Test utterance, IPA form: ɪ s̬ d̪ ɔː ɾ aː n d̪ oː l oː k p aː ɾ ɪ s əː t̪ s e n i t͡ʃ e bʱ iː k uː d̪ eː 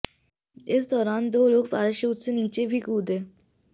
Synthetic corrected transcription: ɪ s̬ d̪ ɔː ɾ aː n d̪ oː l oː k p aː ɾ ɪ ʃ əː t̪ s e n iː t͡ʃ e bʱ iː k uː d̪ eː